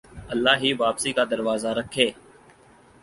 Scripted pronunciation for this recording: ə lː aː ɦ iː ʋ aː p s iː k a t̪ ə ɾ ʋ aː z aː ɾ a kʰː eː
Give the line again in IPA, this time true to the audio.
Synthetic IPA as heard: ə lː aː ɦ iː ʋ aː p s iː k a d̪ ə ɾ ʋ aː z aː ɾ ə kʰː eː